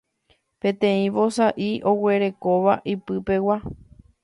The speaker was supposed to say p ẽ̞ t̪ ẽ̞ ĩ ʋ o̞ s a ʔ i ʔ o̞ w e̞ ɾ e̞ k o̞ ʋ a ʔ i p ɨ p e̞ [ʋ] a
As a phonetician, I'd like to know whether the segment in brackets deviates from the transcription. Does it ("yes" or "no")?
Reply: yes